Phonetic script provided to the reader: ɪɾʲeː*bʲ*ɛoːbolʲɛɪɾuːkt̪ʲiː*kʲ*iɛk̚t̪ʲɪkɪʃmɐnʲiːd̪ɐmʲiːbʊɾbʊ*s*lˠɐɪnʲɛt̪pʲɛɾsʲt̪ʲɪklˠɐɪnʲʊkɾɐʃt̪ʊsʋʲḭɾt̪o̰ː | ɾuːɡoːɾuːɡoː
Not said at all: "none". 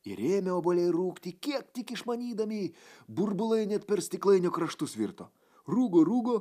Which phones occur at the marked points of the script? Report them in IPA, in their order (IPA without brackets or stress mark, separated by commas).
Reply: mʲ, kʲ, none